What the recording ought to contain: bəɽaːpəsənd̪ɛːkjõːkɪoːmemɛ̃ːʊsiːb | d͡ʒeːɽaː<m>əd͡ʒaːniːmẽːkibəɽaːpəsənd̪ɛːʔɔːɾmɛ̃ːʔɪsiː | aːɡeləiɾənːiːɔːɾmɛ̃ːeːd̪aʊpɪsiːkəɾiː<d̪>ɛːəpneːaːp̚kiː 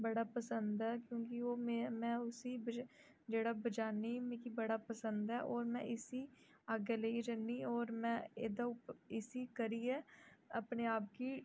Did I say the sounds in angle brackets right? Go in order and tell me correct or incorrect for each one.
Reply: incorrect: b, incorrect: none

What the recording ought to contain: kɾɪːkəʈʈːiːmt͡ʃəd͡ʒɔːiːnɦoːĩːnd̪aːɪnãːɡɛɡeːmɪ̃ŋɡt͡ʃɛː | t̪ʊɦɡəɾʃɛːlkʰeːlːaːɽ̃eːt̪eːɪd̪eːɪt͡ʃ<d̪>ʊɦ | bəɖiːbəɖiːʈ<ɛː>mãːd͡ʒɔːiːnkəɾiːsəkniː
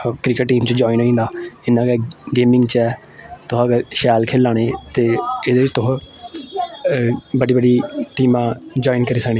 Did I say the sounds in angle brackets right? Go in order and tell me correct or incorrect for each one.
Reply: incorrect: t̪, incorrect: iː

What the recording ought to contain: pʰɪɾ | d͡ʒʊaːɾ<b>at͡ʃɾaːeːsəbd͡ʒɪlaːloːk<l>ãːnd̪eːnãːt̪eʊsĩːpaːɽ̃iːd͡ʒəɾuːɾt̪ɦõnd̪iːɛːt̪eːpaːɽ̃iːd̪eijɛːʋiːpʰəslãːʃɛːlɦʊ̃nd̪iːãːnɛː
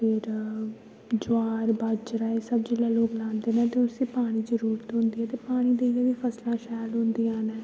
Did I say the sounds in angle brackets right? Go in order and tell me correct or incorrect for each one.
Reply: correct, correct

